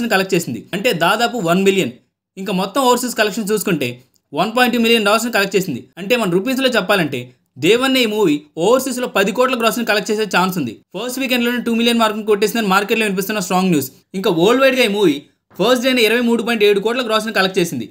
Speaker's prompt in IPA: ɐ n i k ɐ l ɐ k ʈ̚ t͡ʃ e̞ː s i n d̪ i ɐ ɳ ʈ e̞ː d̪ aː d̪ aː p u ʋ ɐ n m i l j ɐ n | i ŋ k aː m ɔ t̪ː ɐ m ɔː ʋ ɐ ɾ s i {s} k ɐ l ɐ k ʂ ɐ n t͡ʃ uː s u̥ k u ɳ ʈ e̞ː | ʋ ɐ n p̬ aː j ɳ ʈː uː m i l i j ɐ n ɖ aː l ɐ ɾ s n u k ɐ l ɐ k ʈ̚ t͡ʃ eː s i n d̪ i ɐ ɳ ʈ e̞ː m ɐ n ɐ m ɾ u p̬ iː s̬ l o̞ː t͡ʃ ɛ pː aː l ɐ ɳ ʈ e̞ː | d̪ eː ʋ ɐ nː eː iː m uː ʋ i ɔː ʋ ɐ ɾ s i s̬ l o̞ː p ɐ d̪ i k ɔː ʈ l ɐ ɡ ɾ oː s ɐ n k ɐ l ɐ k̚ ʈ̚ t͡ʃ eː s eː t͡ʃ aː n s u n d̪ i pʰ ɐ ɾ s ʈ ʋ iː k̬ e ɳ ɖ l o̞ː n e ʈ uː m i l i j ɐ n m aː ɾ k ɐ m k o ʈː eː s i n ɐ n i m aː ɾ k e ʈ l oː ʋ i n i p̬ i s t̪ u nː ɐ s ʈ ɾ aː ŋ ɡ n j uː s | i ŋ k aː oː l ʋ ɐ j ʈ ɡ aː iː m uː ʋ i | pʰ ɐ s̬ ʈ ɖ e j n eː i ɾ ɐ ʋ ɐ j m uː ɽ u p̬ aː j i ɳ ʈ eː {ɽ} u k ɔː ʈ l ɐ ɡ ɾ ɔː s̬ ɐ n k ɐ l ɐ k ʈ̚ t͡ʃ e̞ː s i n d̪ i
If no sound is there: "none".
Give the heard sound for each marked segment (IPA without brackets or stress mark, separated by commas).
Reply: s, ɽ